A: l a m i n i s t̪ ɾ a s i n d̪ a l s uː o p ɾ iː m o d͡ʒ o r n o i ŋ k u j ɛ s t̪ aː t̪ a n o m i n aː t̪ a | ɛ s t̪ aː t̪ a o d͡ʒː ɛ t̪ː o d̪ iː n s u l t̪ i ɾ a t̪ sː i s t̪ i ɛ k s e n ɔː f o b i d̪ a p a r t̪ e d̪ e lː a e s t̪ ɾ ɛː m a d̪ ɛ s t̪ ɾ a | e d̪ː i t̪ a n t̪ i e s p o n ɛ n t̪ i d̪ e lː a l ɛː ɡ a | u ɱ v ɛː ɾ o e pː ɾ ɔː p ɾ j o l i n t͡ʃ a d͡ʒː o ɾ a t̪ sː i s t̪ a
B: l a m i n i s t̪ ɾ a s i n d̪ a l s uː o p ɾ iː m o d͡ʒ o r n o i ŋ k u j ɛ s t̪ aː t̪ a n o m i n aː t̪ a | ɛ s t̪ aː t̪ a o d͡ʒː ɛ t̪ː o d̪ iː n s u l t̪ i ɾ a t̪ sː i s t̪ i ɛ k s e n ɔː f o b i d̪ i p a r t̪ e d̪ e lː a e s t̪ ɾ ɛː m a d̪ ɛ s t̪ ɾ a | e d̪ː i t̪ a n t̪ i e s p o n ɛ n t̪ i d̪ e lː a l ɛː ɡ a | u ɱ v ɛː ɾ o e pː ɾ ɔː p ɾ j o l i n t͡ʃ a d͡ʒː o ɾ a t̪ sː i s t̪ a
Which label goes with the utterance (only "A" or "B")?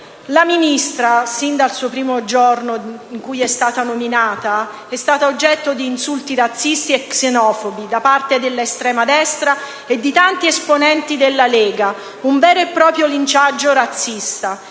A